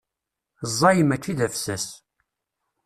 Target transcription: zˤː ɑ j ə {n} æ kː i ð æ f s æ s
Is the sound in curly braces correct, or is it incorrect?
incorrect